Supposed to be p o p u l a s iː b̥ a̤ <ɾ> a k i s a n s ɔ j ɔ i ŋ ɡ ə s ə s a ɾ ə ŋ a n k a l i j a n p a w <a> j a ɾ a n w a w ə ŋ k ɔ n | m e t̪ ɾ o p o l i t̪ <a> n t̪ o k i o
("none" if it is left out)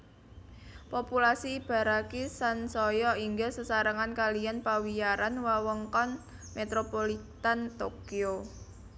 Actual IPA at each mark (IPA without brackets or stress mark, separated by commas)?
ɾ, i, a